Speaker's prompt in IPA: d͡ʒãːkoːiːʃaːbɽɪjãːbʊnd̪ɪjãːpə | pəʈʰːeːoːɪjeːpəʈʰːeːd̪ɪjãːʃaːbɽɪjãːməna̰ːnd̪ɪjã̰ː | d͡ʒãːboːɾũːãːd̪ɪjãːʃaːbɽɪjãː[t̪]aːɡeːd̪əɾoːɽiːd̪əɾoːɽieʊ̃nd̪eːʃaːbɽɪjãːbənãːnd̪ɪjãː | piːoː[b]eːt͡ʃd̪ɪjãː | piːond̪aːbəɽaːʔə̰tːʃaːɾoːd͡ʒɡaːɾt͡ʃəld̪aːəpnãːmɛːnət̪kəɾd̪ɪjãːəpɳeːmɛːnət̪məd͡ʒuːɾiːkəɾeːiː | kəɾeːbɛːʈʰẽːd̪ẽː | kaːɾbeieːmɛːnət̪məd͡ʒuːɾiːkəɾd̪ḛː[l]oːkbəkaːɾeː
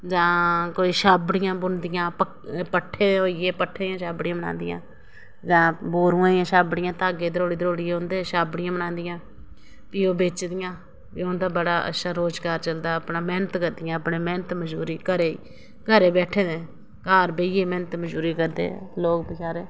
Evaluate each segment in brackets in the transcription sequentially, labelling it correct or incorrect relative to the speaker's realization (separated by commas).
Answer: correct, correct, correct